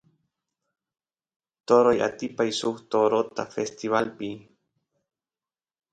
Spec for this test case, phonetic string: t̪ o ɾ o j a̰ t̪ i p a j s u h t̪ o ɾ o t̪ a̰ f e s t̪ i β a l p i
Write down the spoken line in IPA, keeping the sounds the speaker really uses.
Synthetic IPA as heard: t̪ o ɾ o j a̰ t̪ i p a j s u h t̪ o ɾ o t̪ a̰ f e s t̪ i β a l p i